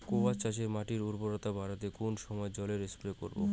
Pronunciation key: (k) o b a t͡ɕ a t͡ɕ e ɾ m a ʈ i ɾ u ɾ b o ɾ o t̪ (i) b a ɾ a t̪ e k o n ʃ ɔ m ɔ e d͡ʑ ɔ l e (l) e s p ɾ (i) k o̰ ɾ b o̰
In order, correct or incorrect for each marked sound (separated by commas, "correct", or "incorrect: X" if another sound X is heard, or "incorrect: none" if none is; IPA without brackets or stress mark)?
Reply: correct, incorrect: a, incorrect: ɾ, incorrect: e